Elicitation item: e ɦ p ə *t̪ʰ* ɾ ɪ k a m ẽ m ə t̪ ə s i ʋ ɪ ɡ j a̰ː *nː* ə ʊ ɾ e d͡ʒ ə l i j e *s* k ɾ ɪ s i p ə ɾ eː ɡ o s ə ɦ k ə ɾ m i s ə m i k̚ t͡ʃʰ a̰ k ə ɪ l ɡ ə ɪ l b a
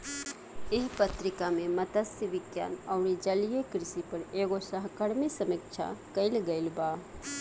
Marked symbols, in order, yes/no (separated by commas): no, no, no